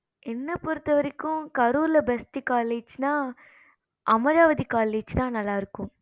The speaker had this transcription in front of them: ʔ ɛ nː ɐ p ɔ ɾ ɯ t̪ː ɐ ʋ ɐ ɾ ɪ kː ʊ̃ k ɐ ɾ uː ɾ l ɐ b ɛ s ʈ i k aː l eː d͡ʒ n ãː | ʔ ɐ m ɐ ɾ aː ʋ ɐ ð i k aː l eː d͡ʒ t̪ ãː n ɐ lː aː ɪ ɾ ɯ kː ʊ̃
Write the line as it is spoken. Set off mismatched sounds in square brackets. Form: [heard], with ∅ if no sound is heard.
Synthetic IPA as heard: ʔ ɛ nː ɐ p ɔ ɾ ɯ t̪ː ɐ ʋ ɐ ɾ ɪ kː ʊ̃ k ɐ ɾ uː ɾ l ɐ b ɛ s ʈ i k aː l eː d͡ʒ n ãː | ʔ ɐ m ɐ ɾ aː ʋ ɐ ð i k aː l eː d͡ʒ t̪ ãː n ɐ lː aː ɪ ɾ ɯ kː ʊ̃

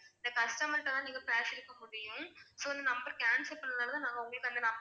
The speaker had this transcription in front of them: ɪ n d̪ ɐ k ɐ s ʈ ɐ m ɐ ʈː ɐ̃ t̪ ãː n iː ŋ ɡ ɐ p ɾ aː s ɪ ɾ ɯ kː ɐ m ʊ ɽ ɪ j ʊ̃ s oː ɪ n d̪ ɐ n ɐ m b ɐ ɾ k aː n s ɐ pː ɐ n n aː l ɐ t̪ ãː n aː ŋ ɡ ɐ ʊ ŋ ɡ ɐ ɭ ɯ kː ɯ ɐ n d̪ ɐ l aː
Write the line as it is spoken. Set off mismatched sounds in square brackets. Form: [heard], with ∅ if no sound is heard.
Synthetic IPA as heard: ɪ n d̪ ɐ k ɐ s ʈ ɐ m ɐ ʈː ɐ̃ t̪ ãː n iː ŋ ɡ ɐ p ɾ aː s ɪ ɾ ɯ kː ɐ m ʊ ɽ ɪ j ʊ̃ s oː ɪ n d̪ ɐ n ɐ m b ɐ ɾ k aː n s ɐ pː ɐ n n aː l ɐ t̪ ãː n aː ŋ ɡ ɐ ʊ ŋ ɡ ɐ ɭ ɯ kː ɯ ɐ n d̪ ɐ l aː

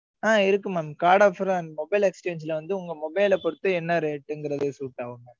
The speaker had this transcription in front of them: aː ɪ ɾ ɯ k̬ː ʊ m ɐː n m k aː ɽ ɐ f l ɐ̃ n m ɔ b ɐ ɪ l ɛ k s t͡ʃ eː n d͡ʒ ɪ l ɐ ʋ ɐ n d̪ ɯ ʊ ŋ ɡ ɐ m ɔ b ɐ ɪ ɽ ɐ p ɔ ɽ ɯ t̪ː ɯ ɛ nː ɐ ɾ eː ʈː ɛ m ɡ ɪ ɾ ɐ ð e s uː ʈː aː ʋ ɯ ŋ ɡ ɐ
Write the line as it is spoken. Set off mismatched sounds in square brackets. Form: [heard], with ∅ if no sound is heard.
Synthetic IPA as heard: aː ɪ ɾ ɯ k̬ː [ɯ] m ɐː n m k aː ɽ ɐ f [ɾ] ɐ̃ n m ɔ b ɐ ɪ l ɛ k s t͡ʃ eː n d͡ʒ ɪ l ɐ ʋ ɐ n d̪ ɯ ʊ ŋ ɡ ɐ m ɔ b ɐ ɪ [l] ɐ p ɔ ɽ ɯ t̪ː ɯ ɛ nː ɐ ɾ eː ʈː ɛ [ŋ] ɡ ɪ ɾ ɐ ð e s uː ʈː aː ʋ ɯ ŋ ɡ ɐ

